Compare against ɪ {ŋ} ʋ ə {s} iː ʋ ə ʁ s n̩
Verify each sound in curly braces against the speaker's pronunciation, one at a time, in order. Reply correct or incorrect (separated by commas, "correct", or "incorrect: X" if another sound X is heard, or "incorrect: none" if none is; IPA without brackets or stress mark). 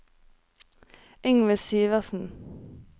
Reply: correct, correct